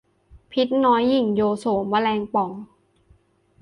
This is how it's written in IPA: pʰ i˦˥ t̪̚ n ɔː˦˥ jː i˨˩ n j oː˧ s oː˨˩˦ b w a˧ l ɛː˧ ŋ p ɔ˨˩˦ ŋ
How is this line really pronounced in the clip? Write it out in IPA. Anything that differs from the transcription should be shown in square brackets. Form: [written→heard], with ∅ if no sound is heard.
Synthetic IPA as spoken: pʰ i˦˥ t̪̚ n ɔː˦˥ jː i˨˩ [n→ŋ] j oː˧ s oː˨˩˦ [b→m] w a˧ l ɛː˧ ŋ p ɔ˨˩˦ ŋ